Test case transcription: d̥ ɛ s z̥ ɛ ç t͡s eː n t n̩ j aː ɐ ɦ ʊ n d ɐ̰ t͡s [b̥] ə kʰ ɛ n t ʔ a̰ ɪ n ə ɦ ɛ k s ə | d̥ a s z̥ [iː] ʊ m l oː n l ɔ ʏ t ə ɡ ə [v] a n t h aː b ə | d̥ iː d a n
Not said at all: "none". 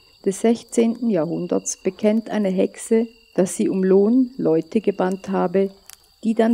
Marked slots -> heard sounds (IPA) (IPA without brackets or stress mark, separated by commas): b̥, iː, b